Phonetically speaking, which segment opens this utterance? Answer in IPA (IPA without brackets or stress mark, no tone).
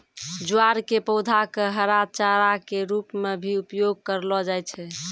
d͡ʒ